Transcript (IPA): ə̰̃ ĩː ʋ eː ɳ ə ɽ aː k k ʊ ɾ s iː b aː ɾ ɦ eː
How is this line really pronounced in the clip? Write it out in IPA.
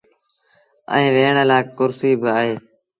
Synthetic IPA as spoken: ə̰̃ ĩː ʋ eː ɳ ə l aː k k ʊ ɾ s iː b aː ɦ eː